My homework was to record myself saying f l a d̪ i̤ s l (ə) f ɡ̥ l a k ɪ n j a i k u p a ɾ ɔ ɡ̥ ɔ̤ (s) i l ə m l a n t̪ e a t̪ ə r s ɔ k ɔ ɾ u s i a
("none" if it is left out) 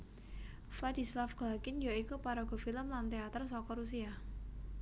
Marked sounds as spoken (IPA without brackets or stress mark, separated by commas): a, f